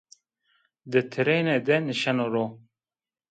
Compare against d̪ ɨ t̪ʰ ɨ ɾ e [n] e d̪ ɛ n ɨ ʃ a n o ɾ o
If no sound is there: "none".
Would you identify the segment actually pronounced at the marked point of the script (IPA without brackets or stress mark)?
n